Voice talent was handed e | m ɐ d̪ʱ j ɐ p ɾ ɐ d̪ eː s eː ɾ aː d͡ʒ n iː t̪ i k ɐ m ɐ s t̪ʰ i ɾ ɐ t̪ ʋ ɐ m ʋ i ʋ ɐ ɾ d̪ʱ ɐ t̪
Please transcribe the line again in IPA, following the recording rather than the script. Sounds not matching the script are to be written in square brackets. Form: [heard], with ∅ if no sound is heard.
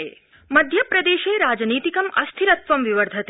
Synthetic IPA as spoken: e | m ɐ d̪ʱ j ɐ p ɾ ɐ d̪ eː [ʃ] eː ɾ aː d͡ʒ n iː t̪ i k ɐ m ɐ s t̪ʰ i ɾ ɐ t̪ ʋ ɐ m ʋ i ʋ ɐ ɾ d̪ʱ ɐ t̪